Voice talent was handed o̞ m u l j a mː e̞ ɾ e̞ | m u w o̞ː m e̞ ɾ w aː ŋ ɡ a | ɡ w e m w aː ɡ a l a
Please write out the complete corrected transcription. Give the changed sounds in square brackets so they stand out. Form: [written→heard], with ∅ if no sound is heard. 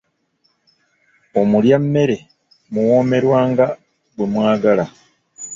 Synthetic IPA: o̞ m u l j a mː e̞ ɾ e̞ | m u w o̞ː m e̞ ɾ w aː ŋ ɡ a | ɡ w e m w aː ɡ a l a